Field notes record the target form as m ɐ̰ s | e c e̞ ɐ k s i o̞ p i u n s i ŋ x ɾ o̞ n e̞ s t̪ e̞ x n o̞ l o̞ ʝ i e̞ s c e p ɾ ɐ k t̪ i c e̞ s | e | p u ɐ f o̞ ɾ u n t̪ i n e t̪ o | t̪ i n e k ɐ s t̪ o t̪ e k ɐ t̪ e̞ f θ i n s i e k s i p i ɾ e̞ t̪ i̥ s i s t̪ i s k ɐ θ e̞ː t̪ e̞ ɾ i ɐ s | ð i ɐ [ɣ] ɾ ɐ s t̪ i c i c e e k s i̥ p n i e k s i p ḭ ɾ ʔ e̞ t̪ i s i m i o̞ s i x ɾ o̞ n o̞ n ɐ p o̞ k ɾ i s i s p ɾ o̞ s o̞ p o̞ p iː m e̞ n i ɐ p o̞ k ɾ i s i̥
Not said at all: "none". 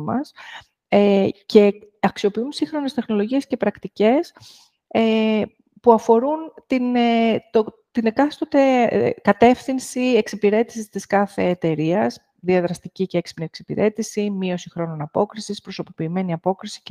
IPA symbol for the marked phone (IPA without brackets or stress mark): ð